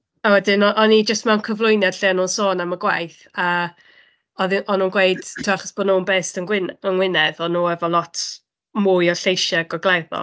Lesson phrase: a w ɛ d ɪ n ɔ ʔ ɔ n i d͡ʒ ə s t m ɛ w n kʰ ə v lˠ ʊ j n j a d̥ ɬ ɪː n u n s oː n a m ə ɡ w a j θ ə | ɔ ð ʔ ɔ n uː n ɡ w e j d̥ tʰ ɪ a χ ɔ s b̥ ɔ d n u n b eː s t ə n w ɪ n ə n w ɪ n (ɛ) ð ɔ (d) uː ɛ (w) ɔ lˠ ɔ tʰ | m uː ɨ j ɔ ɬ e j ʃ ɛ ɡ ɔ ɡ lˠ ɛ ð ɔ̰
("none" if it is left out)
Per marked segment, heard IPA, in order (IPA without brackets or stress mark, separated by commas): ɛ, n, v